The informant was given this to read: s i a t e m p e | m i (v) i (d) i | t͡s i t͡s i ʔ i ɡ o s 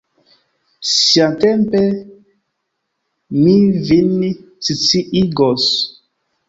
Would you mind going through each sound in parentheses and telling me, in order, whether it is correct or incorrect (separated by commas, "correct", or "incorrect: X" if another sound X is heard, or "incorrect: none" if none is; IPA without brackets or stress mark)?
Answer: correct, incorrect: n